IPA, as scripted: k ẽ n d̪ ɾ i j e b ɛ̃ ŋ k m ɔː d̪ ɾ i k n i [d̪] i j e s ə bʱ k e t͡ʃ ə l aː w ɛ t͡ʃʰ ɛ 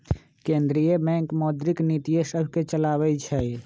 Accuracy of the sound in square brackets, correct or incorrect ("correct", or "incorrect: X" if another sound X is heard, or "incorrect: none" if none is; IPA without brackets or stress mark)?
incorrect: t̪